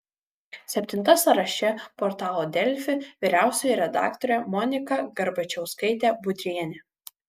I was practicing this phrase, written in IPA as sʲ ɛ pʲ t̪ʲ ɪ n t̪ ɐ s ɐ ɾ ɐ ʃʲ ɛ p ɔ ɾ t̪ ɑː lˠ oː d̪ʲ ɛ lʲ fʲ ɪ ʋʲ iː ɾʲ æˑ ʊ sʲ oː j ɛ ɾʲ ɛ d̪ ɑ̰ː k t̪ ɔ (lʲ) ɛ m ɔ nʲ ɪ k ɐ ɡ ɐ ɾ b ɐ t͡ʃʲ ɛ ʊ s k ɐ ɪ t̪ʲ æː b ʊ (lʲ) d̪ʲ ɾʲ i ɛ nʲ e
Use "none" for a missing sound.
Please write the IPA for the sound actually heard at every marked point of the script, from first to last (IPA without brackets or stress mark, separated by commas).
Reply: ɾʲ, none